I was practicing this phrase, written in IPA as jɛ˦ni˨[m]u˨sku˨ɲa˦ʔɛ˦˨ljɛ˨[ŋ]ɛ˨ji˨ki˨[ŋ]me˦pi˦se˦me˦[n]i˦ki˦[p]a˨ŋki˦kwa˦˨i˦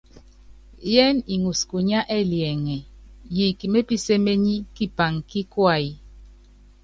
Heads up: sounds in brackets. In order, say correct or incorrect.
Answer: incorrect: ŋ, correct, incorrect: none, incorrect: ɲ, correct

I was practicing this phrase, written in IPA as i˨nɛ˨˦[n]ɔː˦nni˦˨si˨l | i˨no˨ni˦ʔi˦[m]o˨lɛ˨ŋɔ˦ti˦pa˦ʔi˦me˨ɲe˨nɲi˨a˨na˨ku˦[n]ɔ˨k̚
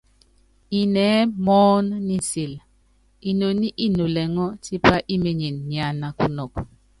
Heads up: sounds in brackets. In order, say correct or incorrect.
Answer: incorrect: m, incorrect: n, correct

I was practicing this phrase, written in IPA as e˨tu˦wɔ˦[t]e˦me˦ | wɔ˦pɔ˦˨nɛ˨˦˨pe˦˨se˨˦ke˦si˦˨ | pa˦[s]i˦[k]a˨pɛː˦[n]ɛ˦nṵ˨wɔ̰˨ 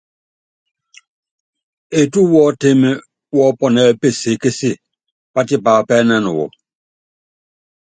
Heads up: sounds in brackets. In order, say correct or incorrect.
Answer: correct, incorrect: t, incorrect: p, correct

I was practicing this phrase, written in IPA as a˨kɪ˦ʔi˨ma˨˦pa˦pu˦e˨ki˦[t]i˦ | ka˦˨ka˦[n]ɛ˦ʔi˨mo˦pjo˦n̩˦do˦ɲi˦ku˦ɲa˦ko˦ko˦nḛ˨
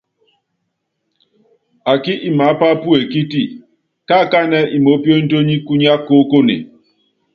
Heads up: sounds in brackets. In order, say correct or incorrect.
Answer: correct, correct

